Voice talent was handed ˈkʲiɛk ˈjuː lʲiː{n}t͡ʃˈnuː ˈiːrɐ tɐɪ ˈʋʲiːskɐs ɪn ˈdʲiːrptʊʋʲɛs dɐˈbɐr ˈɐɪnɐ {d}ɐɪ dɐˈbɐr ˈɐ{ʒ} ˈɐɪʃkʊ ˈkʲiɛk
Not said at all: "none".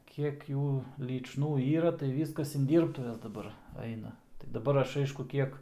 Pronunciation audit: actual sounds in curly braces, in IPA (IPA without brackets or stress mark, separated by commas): none, t, ʃ